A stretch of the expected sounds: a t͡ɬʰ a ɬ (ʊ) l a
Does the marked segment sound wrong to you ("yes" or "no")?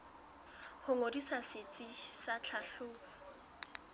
yes